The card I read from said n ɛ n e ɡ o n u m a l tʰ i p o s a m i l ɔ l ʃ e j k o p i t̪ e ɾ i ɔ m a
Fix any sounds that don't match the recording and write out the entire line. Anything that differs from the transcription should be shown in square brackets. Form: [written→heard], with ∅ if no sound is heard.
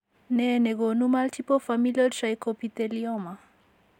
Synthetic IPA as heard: n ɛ n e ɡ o n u m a l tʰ i p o [s→f] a m i l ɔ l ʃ [e→a] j k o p i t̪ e [ɾ→l] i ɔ m a